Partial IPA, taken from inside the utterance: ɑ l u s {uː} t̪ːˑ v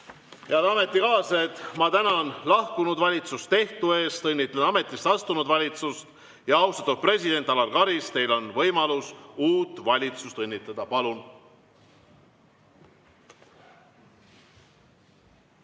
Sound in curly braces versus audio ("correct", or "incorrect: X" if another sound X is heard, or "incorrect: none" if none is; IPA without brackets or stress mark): correct